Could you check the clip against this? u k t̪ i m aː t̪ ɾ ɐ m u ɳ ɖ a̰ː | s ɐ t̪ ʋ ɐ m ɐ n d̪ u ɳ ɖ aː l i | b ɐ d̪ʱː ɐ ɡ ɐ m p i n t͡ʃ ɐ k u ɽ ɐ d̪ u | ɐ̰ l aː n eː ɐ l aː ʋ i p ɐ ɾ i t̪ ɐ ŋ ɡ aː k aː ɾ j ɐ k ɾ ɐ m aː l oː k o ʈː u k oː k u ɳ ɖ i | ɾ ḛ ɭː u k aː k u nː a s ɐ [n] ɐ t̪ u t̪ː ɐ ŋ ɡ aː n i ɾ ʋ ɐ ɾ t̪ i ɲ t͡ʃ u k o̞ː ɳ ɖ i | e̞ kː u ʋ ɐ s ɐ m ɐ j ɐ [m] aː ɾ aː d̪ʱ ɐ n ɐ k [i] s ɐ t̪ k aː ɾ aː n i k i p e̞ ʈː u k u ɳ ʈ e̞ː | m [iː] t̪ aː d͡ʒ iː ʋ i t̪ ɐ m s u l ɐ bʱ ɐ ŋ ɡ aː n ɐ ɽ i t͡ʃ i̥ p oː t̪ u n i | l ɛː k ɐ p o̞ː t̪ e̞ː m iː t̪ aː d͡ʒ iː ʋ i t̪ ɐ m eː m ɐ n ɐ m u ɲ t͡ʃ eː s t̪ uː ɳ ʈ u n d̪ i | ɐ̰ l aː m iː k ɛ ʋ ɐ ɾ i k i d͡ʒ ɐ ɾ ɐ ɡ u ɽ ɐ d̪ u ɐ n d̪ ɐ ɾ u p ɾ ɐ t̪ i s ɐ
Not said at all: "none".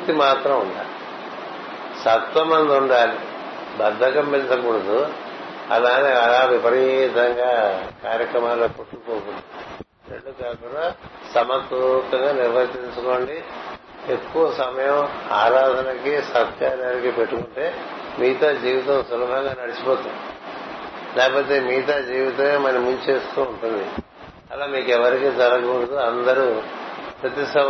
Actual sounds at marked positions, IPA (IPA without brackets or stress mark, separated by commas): m, m, i, iː